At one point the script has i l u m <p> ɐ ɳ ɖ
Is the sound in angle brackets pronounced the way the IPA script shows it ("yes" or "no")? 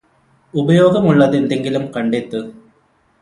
no